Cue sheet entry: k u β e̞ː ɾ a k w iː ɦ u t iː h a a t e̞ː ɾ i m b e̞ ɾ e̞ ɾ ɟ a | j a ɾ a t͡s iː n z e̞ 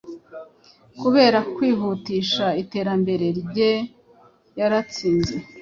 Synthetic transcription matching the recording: k u β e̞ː ɾ a k w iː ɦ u t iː ʃ a i t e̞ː ɾ a m b e̞ ɾ e̞ ɾ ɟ e | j a ɾ a t͡s iː n z e̞